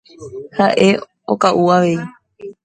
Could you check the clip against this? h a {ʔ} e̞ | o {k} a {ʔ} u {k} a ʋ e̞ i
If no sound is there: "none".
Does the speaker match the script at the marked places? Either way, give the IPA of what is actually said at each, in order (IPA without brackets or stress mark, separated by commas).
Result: ʔ, k, ʔ, none